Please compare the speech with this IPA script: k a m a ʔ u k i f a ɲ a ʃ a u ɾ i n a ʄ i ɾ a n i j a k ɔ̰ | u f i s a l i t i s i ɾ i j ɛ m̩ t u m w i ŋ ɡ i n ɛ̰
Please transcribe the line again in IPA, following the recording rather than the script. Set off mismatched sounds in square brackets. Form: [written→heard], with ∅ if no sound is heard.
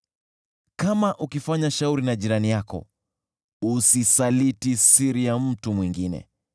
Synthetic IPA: k a m a ʔ u k i f a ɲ a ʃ a u ɾ i n a ʄ i ɾ a n i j a k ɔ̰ | u [f→s] i s a l i t i s i ɾ i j [ɛ→a] m̩ t u m w i ŋ ɡ i n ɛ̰